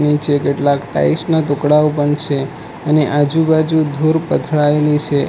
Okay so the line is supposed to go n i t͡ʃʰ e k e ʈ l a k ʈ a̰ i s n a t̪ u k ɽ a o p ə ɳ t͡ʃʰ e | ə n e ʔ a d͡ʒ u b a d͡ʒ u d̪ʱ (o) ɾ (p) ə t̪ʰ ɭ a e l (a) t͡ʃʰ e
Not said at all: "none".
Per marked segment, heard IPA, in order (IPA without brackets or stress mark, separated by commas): u, p, i